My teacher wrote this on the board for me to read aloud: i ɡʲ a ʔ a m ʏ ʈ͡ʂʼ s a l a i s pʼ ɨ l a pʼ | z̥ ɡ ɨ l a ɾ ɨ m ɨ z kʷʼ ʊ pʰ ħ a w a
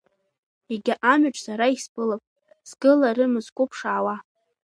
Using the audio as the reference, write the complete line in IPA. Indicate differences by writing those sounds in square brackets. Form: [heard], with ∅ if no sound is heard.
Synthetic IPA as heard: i ɡʲ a ʔ a m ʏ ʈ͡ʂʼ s a [ɾ] a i s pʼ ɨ l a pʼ | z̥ ɡ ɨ l a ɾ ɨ m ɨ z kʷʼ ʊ pʰ [ʂ] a w a

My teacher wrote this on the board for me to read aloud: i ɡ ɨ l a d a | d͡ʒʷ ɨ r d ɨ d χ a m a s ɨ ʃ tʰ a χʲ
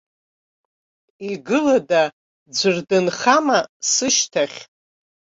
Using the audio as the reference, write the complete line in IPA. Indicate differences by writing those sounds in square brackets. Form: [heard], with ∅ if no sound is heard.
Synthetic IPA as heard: i ɡ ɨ l a d a | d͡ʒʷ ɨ r d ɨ [n] χ a m a s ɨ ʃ tʰ a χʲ

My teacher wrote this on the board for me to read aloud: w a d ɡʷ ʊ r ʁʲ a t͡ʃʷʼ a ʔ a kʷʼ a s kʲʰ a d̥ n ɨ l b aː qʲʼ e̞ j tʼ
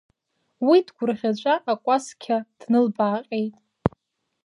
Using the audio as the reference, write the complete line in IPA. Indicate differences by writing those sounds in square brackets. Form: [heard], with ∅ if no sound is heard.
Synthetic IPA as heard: w [i] d ɡʷ ʊ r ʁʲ a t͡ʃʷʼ a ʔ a kʷʼ a s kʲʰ a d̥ n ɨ l b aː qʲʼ e̞ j tʼ

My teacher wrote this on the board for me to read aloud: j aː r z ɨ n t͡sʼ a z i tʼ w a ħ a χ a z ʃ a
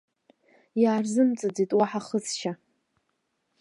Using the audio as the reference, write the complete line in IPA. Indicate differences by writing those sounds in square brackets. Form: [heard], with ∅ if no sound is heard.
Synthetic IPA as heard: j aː r z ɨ [m] t͡sʼ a [d͡z] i tʼ w a ħ a χ [ə] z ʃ a

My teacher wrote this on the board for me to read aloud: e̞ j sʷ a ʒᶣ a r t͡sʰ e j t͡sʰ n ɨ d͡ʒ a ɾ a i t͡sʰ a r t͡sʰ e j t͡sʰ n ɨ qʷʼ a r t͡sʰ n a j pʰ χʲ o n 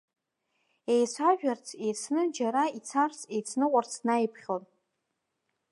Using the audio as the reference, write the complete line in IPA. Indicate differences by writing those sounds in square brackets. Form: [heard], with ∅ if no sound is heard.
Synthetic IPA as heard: e̞ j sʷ a ʒᶣ a r t͡sʰ e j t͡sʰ n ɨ d͡ʒ a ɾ a i t͡sʰ a r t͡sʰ e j t͡sʰ n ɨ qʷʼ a r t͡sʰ n a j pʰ χʲ o n

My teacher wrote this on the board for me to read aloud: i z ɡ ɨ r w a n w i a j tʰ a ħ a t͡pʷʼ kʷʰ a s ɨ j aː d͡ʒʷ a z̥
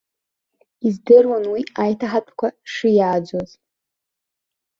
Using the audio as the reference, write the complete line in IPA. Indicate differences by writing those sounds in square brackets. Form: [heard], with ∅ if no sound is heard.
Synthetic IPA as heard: i z [d] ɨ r w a n w i a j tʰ a ħ a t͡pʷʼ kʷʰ a [ʂ] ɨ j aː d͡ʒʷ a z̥

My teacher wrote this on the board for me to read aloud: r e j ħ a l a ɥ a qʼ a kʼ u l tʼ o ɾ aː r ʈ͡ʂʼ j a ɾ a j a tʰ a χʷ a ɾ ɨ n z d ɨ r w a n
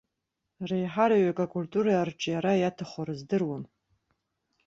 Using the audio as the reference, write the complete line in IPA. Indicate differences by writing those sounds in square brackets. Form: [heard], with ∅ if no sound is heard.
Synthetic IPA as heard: r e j ħ a [ɾ] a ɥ a [kʼ] a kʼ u l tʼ [u] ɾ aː r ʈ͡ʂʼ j a ɾ a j a tʰ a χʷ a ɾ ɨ [∅] z d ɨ r w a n

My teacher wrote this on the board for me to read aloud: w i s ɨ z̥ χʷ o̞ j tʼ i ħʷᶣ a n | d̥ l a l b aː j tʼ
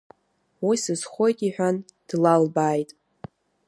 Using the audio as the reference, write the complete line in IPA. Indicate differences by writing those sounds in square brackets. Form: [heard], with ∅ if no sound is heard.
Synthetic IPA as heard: w i s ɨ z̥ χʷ o̞ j tʼ i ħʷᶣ a n | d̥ l a l b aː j tʼ

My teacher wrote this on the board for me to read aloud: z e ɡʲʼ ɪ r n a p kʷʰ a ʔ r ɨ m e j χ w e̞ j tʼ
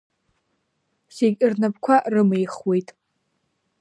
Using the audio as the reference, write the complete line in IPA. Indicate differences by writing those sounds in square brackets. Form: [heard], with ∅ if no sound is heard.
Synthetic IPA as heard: [s] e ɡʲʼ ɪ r n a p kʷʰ a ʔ r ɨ m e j χ w e̞ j tʼ

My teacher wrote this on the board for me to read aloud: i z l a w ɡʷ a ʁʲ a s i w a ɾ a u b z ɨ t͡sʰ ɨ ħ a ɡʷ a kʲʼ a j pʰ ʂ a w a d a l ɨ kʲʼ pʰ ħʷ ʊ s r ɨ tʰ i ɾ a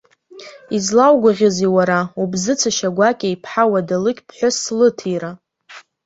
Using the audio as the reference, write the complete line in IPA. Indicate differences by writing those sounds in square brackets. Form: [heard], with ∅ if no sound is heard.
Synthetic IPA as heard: i z l a w ɡʷ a ʁʲ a [z] i w a ɾ a u b z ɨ t͡sʰ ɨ [ʃ] a ɡʷ a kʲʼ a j pʰ [ħ] a w a d a l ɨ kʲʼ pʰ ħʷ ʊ s [l] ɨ tʰ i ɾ a

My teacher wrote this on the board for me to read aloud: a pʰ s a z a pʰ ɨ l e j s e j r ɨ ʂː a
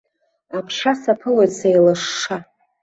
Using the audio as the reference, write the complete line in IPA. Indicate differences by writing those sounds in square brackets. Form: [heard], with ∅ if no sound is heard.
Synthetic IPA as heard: a pʰ [ʂ] a [s] a pʰ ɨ l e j s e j [l] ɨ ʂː a

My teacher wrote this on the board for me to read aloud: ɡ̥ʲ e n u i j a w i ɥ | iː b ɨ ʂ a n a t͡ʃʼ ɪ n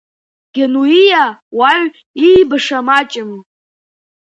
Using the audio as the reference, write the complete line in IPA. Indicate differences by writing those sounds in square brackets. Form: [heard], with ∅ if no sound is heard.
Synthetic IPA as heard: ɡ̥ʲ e n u i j a w [a] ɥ | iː b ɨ ʂ a [m] a t͡ʃʼ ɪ [m]

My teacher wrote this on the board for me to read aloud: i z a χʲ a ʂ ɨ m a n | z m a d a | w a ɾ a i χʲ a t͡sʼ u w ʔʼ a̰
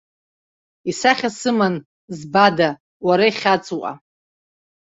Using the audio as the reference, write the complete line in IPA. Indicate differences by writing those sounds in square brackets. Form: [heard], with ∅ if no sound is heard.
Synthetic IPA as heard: i [s] a χʲ a [s] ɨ m a n | z [b] a d a | w a ɾ a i χʲ a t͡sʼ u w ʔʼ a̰

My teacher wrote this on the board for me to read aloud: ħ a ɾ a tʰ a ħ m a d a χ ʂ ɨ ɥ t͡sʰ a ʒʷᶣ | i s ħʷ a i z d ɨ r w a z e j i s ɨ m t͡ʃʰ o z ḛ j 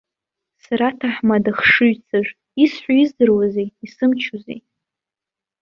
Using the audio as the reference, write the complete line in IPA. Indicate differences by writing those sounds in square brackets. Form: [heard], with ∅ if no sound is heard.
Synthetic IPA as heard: [s] a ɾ a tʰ a ħ m a d a χ ʂ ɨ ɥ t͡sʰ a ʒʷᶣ | i s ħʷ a i z d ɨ r w a z e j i s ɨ m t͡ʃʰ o z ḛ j

